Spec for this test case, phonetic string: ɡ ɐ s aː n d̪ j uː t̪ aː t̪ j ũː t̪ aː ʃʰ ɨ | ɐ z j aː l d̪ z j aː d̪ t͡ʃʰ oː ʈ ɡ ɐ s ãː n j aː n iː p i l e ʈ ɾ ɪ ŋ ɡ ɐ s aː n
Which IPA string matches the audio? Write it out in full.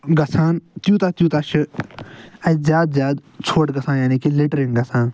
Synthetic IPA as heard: ɡ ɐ s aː n t̪ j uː t̪ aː t̪ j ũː t̪ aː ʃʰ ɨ | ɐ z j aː d̪ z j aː d̪ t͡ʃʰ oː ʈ ɡ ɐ s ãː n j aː n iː k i l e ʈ ɾ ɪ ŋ ɡ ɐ s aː n